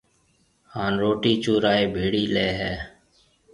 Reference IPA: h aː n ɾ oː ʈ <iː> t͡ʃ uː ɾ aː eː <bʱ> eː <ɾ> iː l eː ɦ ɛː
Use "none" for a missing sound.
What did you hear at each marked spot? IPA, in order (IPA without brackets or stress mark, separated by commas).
iː, bʱ, ɽ